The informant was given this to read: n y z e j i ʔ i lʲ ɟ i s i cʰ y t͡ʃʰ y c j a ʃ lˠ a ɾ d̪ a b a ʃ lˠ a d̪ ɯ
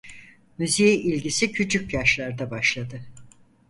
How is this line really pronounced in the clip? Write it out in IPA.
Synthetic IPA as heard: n y z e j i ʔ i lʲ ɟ i s i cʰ y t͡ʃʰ y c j a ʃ lˠ a ɾ d̪ a b a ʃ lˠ a d̪ ɯ